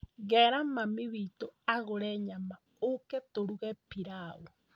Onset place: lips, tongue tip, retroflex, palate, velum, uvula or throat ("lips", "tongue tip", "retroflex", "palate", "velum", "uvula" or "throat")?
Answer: velum